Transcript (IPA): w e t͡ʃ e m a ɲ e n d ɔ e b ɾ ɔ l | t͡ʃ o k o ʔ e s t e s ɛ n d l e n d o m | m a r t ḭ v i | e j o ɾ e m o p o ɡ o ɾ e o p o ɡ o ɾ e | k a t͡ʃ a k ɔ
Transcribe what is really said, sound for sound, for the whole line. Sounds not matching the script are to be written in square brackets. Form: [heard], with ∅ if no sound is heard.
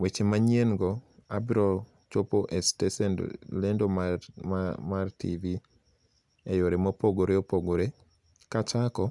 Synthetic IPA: w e t͡ʃ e m a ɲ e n [ɡ] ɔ [a] b ɾ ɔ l | t͡ʃ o [p] o ʔ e s t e s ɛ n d l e n d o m | m a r t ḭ v i | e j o ɾ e m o p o ɡ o ɾ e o p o ɡ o ɾ e | k a t͡ʃ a k ɔ